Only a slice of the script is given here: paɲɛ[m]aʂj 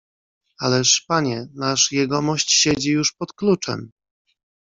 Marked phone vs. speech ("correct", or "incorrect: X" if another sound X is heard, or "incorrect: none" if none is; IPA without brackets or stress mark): incorrect: n